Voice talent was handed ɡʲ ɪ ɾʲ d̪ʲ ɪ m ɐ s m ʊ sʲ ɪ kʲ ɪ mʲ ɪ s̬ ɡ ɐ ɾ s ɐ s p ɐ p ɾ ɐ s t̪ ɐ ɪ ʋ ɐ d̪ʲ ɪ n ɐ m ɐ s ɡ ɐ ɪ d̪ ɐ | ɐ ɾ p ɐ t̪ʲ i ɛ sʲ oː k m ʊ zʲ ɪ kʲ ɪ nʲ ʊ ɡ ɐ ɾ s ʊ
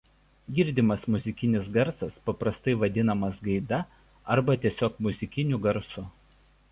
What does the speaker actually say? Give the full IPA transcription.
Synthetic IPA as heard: ɡʲ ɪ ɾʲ d̪ʲ ɪ m ɐ s m ʊ zʲ ɪ kʲ ɪ nʲ ɪ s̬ ɡ ɐ ɾ s ɐ s p ɐ p ɾ ɐ s t̪ ɐ ɪ ʋ ɐ d̪ʲ ɪ n ɐ m ɐ s ɡ ɐ ɪ d̪ ɐ | ɐ ɾ b ɐ t̪ʲ i ɛ sʲ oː k m ʊ zʲ ɪ kʲ ɪ nʲ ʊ ɡ ɐ ɾ s ʊ